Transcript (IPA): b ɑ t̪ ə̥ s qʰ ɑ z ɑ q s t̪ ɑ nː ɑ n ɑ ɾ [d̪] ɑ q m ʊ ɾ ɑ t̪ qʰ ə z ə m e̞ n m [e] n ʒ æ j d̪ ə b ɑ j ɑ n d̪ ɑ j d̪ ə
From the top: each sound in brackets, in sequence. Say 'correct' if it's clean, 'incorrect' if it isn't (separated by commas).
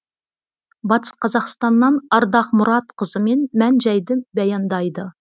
correct, incorrect